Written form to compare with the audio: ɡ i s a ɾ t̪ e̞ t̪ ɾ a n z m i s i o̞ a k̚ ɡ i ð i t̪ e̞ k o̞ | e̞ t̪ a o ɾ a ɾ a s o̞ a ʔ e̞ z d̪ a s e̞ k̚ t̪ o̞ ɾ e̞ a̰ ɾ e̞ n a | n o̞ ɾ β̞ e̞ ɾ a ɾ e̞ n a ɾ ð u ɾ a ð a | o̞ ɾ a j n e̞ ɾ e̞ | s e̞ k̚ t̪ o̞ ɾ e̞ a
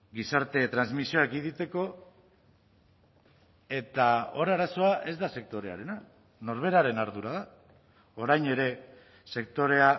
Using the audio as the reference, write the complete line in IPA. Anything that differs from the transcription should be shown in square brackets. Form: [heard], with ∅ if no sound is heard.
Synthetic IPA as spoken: ɡ i s a ɾ t̪ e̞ t̪ ɾ a n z m i s i o̞ a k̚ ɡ i ð i t̪ e̞ k o̞ | e̞ t̪ a o ɾ a ɾ a s o̞ a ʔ e̞ z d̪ a s e̞ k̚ t̪ o̞ ɾ e̞ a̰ ɾ e̞ n a | n o̞ ɾ β̞ e̞ ɾ a ɾ e̞ n a ɾ ð u ɾ a ð a | o̞ ɾ a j n e̞ ɾ e̞ | s e̞ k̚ t̪ o̞ ɾ e̞ a